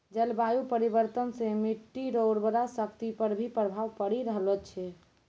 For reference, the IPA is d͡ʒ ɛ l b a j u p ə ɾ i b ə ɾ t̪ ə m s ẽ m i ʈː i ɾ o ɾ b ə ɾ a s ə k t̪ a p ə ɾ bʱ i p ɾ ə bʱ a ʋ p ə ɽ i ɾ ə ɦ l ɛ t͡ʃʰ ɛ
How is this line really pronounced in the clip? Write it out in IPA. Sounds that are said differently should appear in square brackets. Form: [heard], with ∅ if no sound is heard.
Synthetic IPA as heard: d͡ʒ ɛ l b a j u p ə ɾ i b ə ɾ t̪ ə [n] s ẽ m i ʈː i ɾ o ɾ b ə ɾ a s ə k t̪ [i] p ə ɾ bʱ i p ɾ ə bʱ a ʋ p ə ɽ i ɾ ə ɦ l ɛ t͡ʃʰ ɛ